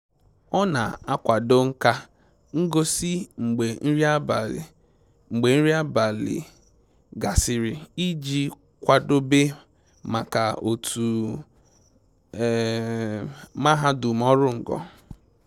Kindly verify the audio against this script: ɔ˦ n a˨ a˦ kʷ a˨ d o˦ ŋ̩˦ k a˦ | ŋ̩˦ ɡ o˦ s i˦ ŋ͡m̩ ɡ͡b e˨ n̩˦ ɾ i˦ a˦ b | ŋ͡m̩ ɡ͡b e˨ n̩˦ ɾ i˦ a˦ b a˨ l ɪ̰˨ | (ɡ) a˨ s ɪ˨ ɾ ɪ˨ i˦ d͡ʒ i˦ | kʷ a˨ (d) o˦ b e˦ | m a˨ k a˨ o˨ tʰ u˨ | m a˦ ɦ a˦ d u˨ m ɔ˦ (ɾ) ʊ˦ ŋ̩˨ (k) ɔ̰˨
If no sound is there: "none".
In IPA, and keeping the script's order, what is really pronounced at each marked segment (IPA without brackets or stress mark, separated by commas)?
ɡ, d, ɾ, ɡ